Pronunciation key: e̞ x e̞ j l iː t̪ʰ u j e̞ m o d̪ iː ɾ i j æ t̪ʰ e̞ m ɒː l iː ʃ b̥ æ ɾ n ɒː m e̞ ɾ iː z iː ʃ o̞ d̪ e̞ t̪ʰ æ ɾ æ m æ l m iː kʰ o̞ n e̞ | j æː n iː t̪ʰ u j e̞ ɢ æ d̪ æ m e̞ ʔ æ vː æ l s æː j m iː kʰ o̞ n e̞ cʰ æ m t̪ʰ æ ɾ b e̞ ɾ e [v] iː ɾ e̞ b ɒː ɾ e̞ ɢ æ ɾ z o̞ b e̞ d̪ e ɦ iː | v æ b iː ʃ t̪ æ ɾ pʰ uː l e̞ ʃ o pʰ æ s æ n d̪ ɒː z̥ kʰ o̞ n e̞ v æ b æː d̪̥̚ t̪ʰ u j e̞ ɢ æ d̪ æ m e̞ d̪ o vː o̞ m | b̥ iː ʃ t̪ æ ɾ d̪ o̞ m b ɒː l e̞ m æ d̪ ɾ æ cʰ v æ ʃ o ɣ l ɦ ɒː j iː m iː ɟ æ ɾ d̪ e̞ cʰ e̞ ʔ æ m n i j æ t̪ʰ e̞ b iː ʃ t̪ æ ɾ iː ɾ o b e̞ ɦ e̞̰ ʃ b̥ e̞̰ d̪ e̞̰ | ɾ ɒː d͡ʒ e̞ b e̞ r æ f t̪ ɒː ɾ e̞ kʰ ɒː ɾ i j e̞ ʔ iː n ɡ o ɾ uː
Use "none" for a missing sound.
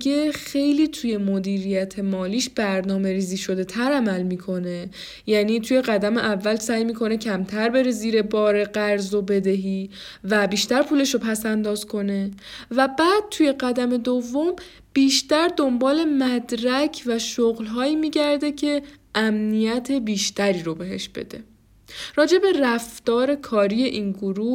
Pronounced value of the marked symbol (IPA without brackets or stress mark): z